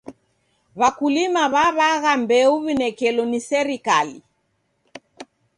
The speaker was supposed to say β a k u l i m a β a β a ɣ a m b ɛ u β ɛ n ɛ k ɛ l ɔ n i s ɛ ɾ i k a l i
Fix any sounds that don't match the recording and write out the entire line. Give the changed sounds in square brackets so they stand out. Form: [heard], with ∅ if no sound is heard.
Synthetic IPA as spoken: β a k u l i m a β a β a ɣ a m b ɛ u β [i] n ɛ k ɛ l ɔ n i s ɛ ɾ i k a l i